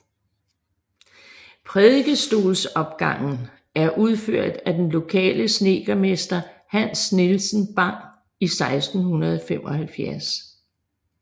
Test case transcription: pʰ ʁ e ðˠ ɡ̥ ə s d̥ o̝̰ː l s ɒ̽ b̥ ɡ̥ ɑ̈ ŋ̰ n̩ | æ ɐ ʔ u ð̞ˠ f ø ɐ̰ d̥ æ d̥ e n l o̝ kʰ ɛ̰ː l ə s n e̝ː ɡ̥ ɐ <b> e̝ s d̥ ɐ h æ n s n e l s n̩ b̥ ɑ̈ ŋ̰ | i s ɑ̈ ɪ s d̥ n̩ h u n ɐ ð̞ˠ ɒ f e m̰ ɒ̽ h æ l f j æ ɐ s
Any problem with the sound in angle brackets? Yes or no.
yes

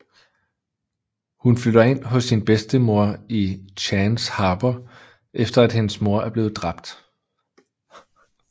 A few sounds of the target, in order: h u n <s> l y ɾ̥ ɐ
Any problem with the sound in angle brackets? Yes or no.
yes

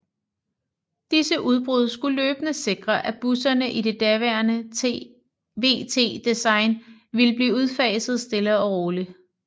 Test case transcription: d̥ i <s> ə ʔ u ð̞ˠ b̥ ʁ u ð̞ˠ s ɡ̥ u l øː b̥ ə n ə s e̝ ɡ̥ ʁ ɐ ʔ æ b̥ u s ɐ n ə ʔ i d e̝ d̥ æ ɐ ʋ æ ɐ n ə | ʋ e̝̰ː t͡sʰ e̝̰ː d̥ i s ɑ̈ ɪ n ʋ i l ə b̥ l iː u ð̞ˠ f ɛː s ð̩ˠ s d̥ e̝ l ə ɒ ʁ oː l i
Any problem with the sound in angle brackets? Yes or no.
no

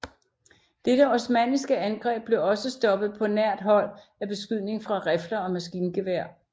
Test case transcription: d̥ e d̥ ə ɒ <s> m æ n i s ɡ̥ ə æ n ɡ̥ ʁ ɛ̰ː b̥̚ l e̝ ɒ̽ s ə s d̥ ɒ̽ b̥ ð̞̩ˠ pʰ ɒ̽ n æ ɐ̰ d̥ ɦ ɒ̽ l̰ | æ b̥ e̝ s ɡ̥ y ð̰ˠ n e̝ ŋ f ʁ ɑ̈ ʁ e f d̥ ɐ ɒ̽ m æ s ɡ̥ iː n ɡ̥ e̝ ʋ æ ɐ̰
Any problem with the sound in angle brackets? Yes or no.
no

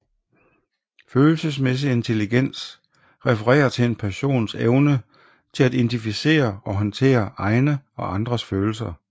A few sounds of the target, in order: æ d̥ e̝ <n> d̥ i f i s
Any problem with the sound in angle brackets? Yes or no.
no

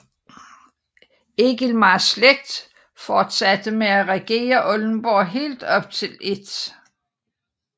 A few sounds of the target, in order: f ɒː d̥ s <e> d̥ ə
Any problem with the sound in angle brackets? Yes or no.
yes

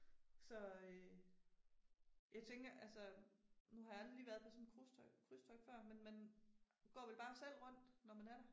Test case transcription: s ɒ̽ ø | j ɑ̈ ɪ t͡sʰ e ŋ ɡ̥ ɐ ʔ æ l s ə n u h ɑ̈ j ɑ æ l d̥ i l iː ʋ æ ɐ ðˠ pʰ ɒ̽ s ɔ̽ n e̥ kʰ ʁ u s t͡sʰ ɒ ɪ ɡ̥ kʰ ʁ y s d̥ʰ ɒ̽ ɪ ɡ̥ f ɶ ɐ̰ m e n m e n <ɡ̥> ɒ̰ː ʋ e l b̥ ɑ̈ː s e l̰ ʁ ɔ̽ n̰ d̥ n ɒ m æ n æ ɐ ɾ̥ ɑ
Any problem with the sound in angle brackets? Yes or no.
no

